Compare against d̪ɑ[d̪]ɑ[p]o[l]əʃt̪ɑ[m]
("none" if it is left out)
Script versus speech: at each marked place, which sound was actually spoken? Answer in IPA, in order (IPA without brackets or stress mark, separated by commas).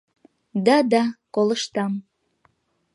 d̪, k, l, m